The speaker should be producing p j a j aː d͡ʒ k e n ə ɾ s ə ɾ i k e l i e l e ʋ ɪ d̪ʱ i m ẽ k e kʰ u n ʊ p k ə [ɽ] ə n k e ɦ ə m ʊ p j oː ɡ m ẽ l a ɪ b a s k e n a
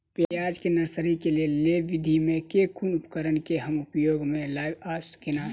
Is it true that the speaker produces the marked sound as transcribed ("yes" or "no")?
no